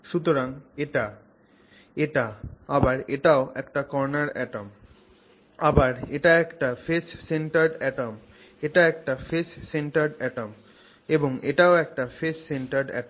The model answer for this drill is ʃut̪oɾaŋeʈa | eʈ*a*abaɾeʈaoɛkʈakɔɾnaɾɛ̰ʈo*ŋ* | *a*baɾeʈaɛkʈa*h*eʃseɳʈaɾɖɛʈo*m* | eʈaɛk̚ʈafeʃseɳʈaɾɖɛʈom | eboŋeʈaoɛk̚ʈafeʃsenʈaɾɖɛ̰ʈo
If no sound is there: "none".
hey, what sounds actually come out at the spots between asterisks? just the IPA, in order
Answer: a, m, a, f, m

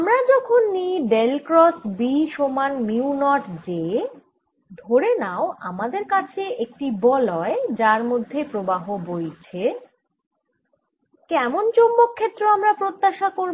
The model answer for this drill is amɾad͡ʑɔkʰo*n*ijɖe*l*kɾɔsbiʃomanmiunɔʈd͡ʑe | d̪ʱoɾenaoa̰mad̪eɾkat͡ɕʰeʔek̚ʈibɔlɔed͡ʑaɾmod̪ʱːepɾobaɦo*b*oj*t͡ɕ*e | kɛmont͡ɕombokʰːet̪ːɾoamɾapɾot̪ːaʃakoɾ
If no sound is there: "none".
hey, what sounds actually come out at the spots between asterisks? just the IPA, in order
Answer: nː, l, b, t͡ɕʰ

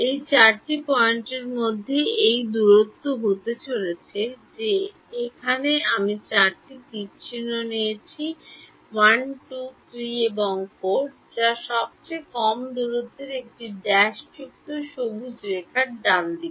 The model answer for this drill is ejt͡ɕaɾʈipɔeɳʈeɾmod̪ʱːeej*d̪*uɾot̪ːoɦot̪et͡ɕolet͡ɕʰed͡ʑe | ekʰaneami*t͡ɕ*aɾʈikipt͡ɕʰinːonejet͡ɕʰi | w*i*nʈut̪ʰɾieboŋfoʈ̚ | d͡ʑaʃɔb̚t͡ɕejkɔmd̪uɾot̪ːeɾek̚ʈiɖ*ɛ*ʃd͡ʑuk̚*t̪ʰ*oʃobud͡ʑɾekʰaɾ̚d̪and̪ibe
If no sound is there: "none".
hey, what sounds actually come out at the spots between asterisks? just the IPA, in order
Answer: d̪, t͡ɕ, a, ɛ, t̪

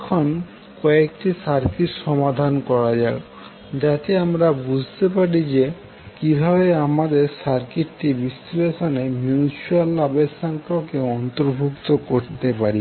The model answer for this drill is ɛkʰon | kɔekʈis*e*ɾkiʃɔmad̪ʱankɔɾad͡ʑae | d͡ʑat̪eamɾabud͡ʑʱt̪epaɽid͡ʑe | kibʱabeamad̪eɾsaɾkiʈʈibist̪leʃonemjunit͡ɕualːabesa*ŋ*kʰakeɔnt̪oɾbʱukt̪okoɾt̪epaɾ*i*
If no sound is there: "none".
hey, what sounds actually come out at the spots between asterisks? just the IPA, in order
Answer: a, ŋ, i

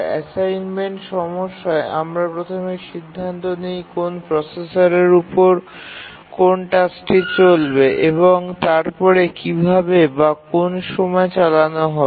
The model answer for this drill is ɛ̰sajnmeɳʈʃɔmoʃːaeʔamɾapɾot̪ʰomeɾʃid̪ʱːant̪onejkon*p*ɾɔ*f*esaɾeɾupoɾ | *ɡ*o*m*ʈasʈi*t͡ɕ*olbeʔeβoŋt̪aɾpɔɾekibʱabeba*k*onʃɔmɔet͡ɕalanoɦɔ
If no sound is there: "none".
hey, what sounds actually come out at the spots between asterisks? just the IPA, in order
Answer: p, s, k, n, t͡ɕ, k

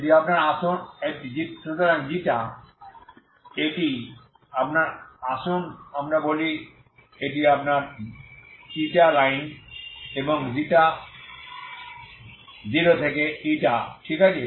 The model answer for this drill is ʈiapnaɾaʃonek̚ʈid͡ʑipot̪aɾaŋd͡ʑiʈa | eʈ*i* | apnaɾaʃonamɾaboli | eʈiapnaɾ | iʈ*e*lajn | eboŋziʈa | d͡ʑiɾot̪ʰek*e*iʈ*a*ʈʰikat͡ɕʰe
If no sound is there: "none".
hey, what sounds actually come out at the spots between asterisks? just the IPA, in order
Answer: i, a, e, a

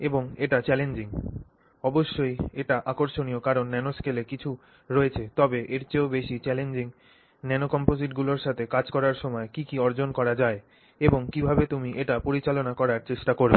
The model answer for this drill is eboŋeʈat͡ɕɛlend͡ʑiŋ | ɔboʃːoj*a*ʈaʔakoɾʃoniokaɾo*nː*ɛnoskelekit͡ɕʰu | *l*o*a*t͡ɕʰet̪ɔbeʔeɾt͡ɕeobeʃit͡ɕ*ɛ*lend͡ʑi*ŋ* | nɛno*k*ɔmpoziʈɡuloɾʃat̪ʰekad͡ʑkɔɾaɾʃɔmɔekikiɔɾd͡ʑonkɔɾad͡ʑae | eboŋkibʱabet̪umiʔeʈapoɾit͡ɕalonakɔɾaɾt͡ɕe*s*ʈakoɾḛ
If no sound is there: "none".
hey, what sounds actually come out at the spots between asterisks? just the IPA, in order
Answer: e, nː, ɾ, e, ɛ, ŋ, k, ʃ

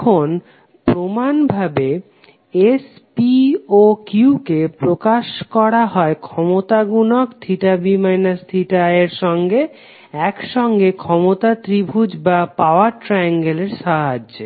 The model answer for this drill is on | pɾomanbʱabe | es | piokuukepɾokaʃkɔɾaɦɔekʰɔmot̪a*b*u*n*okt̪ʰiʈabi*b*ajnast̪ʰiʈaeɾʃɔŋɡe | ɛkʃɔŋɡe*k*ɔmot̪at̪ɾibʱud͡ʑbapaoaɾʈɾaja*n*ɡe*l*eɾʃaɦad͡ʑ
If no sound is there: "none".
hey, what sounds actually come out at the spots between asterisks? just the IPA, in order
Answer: ɡ, n, m, kʰ, ŋ, l

